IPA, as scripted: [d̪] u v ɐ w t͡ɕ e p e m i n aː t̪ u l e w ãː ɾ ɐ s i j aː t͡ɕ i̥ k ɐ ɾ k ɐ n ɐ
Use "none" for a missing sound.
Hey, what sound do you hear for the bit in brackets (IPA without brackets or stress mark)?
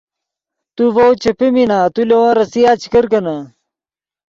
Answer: t̪